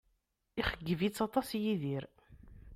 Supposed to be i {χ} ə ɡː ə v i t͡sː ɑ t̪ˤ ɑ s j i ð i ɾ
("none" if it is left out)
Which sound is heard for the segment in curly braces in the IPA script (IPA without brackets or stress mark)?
χ